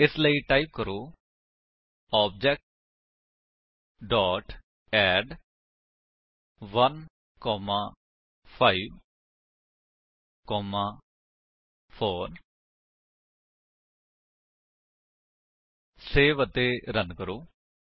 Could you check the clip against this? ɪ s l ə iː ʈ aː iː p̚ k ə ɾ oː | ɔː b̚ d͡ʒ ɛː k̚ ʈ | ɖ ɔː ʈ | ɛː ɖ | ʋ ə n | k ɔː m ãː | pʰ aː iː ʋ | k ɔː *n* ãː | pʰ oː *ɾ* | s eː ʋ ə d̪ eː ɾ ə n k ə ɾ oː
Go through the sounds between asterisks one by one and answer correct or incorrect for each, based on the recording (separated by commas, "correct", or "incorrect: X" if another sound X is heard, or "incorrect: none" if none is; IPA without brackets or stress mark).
incorrect: m, correct